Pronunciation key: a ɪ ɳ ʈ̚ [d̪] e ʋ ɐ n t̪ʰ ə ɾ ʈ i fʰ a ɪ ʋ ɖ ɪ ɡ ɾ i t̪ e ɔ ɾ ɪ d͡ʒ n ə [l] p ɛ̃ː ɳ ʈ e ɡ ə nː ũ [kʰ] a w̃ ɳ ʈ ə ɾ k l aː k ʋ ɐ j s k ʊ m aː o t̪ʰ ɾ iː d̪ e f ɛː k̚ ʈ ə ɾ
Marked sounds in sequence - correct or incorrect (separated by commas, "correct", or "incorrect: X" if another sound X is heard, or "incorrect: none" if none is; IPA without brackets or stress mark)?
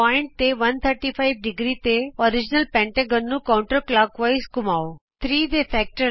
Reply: incorrect: t̪, correct, incorrect: k